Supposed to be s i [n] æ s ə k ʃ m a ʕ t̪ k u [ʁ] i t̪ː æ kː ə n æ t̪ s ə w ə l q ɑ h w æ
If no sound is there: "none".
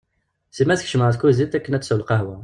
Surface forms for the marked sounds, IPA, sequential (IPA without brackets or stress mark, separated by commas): m, z